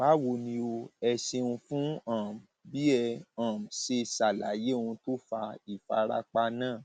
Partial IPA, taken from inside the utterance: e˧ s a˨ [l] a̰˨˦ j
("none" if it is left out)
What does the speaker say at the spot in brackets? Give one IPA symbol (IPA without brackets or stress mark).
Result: l